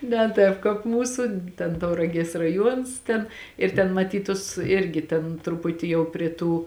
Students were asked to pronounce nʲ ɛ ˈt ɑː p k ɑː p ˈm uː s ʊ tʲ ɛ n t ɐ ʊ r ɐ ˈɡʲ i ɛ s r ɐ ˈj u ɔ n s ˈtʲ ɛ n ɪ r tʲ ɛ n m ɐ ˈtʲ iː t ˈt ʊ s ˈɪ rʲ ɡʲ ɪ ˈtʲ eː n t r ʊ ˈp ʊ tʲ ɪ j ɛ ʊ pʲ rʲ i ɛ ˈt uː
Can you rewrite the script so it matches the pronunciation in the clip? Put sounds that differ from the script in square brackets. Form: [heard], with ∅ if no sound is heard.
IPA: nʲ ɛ ˈt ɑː p k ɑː p ˈm uː s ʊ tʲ ɛ n t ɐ ʊ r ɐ ˈɡʲ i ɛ s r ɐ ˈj u ɔ n s ˈtʲ ɛ n ɪ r tʲ ɛ n m ɐ ˈtʲ iː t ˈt ʊ s ˈɪ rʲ ɡʲ ɪ ˈtʲ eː n t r ʊ ˈp ʊ tʲ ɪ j ɛ ʊ pʲ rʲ i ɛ ˈt uː